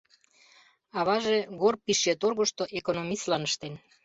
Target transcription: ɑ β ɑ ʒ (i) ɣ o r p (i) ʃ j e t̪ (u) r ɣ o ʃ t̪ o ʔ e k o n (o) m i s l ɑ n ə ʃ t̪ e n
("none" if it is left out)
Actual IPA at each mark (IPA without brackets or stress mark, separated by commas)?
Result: e, i, o, o